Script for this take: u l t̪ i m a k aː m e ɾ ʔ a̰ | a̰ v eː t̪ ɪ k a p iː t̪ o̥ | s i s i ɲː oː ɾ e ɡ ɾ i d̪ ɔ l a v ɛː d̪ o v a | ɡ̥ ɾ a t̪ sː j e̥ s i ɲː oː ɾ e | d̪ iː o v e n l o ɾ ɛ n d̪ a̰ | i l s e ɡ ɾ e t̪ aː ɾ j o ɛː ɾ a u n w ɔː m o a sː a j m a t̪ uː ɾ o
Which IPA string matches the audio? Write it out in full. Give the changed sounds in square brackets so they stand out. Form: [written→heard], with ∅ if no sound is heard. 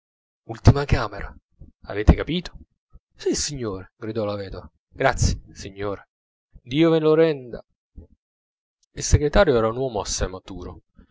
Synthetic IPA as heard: u l t̪ i m a k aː m e ɾ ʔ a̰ | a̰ v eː t̪ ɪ k a p iː t̪ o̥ | s i s i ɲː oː ɾ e ɡ ɾ i d̪ ɔ l a v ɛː d̪ o v a | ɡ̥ ɾ a t̪ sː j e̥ s i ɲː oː ɾ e | d̪ iː o v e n l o ɾ ɛ n d̪ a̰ | i l s e ɡ ɾ e t̪ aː ɾ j o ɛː ɾ a u n w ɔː m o a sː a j m a t̪ uː ɾ o

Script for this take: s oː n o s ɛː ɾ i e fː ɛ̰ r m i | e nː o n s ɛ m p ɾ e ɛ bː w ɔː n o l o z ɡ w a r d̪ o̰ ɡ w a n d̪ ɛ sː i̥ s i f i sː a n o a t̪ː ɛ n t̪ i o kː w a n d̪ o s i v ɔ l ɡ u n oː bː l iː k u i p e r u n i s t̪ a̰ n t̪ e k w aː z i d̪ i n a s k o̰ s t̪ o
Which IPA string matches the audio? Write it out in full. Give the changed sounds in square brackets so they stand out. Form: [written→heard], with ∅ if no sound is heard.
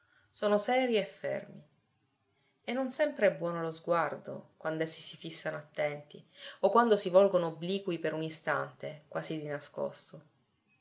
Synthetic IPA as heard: s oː n o s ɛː ɾ i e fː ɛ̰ r m i | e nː o n s ɛ m p ɾ e ɛ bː w ɔː n o l o z ɡ w a r d̪ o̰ [ɡ→k] w a n d̪ ɛ sː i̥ s i f i sː a n o a t̪ː ɛ n t̪ i o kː w a n d̪ o s i v ɔ l ɡ [u→o] n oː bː l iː k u i p e [r→ɾ] u n i s t̪ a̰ n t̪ e k w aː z i d̪ i n a s k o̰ s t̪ o

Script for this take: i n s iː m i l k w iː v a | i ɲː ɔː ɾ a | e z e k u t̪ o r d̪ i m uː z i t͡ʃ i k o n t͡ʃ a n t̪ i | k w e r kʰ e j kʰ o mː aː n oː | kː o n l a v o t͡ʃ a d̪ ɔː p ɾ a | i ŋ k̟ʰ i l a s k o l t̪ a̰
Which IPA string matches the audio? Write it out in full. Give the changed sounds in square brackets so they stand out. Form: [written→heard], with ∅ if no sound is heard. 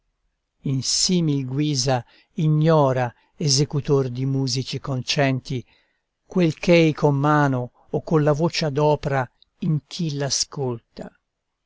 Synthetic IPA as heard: i n s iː m i l [k→ɡ] w iː [v→z] a | i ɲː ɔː ɾ a | e z e k u t̪ o r d̪ i m uː z i t͡ʃ i k o n t͡ʃ [a→ɛ] n t̪ i | k w e [r→l] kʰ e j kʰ o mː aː n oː | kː o n l a v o t͡ʃ a d̪ ɔː p ɾ a | i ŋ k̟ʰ i l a s k o l t̪ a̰

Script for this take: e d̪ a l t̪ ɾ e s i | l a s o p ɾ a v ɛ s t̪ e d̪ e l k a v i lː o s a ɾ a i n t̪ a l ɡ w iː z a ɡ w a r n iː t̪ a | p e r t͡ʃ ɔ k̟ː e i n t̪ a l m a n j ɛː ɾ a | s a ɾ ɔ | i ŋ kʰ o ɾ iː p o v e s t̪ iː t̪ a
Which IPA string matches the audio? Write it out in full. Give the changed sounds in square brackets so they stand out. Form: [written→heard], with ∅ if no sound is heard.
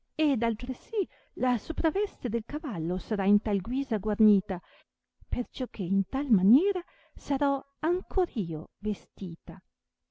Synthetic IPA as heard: e d̪ a l t̪ ɾ e s i | l a s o p ɾ a v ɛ s t̪ e d̪ e l k a v [i→a] lː o s a ɾ a i n t̪ a l ɡ w iː z a ɡ w a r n iː t̪ a | p e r t͡ʃ ɔ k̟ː e i n t̪ a l m a n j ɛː ɾ a | s a ɾ ɔ | [i→a] ŋ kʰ o ɾ iː [p→∅] o v e s t̪ iː t̪ a

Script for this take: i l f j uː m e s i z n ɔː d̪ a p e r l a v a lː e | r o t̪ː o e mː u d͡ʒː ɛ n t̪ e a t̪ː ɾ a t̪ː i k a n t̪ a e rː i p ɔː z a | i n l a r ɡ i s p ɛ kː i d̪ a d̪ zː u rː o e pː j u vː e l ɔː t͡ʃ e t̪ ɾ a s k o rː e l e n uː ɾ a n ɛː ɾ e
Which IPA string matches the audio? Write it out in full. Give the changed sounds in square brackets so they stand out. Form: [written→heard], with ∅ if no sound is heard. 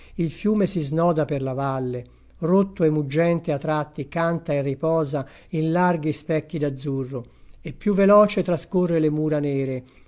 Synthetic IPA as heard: i l f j uː m e s i z n ɔː d̪ a p e r l a v a lː e | r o t̪ː o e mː u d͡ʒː ɛ n t̪ e a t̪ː ɾ a t̪ː i k a n t̪ a e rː i p ɔː z a | i n l a r ɡ i s p ɛ kː i d̪ a d̪ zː u rː o e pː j u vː e l ɔː t͡ʃ e t̪ ɾ a s k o rː e l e [n→m] uː ɾ a n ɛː ɾ e

